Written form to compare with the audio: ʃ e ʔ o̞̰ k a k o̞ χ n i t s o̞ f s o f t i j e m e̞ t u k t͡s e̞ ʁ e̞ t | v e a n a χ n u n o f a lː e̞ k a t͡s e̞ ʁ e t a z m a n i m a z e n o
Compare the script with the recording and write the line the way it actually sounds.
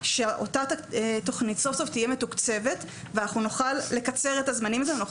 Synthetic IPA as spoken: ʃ e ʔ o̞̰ t a t o̞ χ n i t s o̞ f s o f t i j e m e̞ t u k t͡s e̞ v e̞ t | v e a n a χ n u n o χ a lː e̞ k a t͡s e̞ ʁ e t a z m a n i m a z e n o